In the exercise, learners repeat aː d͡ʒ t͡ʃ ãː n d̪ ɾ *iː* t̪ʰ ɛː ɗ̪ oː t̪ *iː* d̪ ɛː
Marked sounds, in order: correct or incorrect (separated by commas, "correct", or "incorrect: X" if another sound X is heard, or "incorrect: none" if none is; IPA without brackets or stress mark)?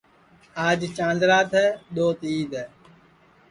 incorrect: aː, correct